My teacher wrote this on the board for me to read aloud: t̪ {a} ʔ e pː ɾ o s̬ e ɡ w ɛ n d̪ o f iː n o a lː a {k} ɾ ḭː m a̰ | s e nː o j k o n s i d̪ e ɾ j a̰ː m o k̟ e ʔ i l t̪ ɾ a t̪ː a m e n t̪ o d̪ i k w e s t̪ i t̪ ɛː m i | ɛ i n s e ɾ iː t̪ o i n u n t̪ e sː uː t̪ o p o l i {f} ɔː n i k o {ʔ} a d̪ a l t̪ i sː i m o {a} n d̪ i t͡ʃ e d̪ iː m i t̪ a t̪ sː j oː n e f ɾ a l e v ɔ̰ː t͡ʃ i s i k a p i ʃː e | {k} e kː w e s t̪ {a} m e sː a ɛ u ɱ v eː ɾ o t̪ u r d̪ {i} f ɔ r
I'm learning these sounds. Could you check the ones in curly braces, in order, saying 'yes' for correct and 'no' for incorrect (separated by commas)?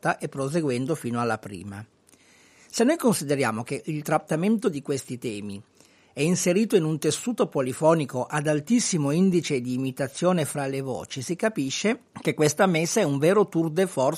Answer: yes, no, yes, yes, no, yes, yes, no